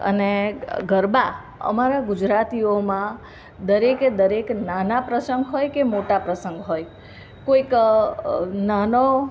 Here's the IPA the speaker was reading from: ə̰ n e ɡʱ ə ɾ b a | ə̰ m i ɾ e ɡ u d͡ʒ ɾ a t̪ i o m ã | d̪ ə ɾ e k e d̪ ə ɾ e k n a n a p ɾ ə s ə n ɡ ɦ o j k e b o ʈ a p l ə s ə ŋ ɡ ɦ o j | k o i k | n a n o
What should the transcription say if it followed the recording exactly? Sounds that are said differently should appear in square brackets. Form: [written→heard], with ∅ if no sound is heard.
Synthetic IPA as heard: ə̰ n e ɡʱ ə ɾ b a | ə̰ m [i→a] ɾ [e→a] ɡ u d͡ʒ ɾ a t̪ i o m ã | d̪ ə ɾ e k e d̪ ə ɾ e k n a n a p ɾ ə s ə [n→ŋ] ɡ ɦ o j k e [b→m] o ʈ a p [l→ɾ] ə s ə ŋ ɡ ɦ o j | k o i k | n a n o

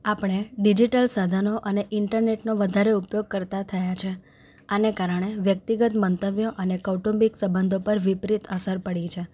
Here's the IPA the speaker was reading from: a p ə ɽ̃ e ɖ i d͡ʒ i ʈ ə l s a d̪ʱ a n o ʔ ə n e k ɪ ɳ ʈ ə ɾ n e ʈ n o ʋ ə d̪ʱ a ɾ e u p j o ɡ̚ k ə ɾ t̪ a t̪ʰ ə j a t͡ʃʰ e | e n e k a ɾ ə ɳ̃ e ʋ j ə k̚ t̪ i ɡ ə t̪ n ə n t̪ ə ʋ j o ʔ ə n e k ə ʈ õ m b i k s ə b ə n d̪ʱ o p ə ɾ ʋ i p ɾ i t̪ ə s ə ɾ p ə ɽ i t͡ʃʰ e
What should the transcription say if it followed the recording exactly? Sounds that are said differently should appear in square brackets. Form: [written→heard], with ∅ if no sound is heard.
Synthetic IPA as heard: a p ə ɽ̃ e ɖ i d͡ʒ i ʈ ə l s a d̪ʱ a n o ʔ ə n e [k→ʔ] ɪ ɳ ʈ ə ɾ n e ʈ n o ʋ ə d̪ʱ a ɾ e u p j o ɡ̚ k ə ɾ t̪ a t̪ʰ ə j a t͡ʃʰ e | [e→a] n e k a ɾ ə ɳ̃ e ʋ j ə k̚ t̪ i ɡ ə t̪ [n→m] ə n t̪ ə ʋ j o ʔ ə n e k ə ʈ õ m b i k s ə b ə n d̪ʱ o p ə ɾ ʋ i p ɾ i t̪ ə s ə ɾ p ə ɽ i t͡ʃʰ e

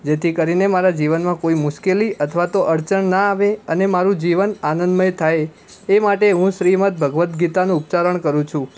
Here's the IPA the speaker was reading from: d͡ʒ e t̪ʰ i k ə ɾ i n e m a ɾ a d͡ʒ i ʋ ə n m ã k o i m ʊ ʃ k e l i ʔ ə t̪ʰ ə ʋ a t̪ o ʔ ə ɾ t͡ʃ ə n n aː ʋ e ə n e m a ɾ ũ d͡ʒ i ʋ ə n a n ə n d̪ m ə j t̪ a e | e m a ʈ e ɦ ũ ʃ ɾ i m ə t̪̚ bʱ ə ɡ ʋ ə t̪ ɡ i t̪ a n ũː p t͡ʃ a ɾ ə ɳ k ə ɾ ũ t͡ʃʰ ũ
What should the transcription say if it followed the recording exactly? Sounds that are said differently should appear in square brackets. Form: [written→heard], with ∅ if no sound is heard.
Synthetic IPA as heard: d͡ʒ e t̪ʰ i k ə ɾ i n e m a ɾ a d͡ʒ i ʋ ə n m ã k o i m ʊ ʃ k e l i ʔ ə t̪ʰ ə ʋ a t̪ o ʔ ə ɾ t͡ʃ ə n n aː ʋ e ə n e m a ɾ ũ d͡ʒ i ʋ ə n a n ə n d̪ m ə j [t̪→t̪ʰ] a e | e m a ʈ e ɦ ũ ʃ ɾ i m ə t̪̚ bʱ ə ɡ ʋ ə t̪ ɡ i t̪ a n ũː p t͡ʃ a ɾ ə ɳ k ə ɾ ũ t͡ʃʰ ũ

